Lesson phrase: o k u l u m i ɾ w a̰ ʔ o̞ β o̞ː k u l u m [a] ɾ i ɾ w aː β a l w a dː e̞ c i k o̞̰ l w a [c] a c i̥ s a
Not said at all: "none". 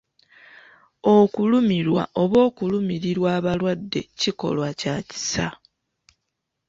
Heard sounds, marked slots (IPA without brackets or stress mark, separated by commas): i, c